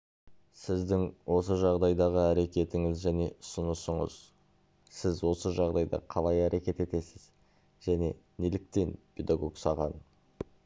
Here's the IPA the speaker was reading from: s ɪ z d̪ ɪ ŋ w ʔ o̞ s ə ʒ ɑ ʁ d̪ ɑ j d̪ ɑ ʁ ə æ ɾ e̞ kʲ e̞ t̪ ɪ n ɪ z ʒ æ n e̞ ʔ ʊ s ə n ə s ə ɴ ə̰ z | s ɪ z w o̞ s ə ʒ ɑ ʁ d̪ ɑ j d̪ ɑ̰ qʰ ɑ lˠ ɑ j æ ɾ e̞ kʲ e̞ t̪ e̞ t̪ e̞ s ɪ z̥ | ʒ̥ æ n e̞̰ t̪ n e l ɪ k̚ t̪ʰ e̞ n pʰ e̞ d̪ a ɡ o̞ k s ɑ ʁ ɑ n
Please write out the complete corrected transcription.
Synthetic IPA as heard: s ɪ z d̪ ɪ ŋ w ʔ o̞ s ə ʒ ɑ ʁ d̪ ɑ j d̪ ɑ ʁ ə æ ɾ e̞ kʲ e̞ t̪ ɪ ŋ ɪ z ʒ æ n e̞ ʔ ʊ s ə n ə s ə ɴ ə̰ z | s ɪ z w o̞ s ə ʒ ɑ ʁ d̪ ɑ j d̪ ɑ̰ qʰ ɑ lˠ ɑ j æ ɾ e̞ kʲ e̞ t̪ e̞ t̪ e̞ s ɪ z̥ | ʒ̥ æ n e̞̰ n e l ɪ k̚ t̪ e̞ n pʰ e̞ d̪ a ɡ o̞ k s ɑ ʁ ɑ n